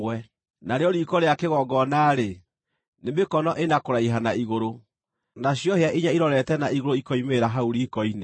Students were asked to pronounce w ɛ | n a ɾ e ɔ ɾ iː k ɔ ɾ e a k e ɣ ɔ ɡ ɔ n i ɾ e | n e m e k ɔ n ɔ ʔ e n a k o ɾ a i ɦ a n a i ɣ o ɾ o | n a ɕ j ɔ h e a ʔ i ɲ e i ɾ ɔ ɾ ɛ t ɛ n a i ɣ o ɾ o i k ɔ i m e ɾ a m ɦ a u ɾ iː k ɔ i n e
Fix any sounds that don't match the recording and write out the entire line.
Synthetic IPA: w ɛ | n a ɾ e ɔ ɾ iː k ɔ ɾ e a k e ɣ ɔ ɡ ɔ n a ɾ e | n e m e k ɔ n ɔ ʔ e n a k o ɾ a i ɦ a n a i ɣ o ɾ o | n a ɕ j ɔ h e a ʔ i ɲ a i ɾ ɔ ɾ ɛ t ɛ n a i ɣ o ɾ o i k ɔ i m e ɾ a ɦ a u ɾ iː k ɔ i n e

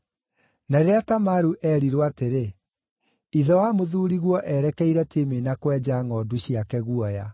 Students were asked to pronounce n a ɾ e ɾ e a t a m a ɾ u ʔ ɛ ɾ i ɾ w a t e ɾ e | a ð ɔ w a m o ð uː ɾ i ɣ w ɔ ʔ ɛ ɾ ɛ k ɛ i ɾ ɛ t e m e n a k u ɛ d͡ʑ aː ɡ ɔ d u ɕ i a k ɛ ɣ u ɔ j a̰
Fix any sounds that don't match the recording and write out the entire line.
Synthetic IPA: n a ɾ e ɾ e a t a m a ɾ u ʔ ɛ ɾ i ɾ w a t e ɾ e | i ð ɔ w a m o ð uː ɾ i ɣ w ɔ ʔ ɛ ɾ ɛ k ɛ i ɾ ɛ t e m e n a k w ɛ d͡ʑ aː ŋ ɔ d u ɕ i a k ɛ ɣ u ɔ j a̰

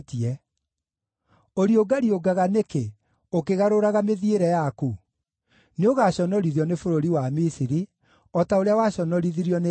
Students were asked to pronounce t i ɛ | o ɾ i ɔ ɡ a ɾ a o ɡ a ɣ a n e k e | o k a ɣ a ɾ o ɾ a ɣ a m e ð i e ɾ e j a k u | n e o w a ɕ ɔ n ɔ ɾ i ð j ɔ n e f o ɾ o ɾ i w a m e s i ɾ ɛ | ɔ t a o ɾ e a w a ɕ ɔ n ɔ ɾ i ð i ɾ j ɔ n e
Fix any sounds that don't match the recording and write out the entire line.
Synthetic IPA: t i ɛ | o ɾ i o ɡ a ɾ i o ɡ a ɣ a n e k e | o k e ɣ a ɾ o ɾ a ɣ a m e ð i e ɾ ɛ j a k u | n e o ɣ a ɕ ɔ n ɔ ɾ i ð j ɔ n e f o ɾ o ɾ i w a m i s i ɾ i | ɔ t a o ɾ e a w a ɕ ɔ n ɔ ɾ i ð i ɾ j ɔ n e

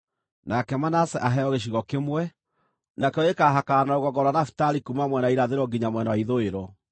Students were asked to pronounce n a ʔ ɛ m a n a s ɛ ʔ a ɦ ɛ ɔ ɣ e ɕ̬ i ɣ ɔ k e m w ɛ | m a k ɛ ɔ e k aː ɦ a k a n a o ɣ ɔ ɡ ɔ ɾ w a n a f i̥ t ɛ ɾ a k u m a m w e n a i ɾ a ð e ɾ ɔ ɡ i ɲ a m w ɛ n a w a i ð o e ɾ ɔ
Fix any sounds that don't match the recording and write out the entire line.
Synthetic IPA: n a k ɛ m a n a s ɛ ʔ a ɦ ɛ ɔ ɣ e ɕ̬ i ɣ ɔ k e m w ɛ | n a k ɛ ɔ e k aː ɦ a k a n a o ɣ ɔ ɡ ɔ ɾ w a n a f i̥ t a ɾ i k u m a m w ɛ n a i ɾ a ð e ɾ ɔ ɡ i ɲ a m w ɛ n a w a i ð o e ɾ ɔ

